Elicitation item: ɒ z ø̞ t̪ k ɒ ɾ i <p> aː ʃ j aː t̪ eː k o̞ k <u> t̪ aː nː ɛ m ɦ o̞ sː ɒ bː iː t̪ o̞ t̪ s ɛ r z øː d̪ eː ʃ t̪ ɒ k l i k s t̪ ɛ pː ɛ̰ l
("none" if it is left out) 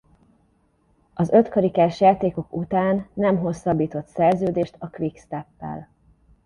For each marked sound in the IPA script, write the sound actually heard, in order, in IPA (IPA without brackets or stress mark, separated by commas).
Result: k, u